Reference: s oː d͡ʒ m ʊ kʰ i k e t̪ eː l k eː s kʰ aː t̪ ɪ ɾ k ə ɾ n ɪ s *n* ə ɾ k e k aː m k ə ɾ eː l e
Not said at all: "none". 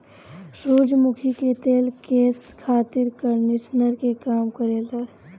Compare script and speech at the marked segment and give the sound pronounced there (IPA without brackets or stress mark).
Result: n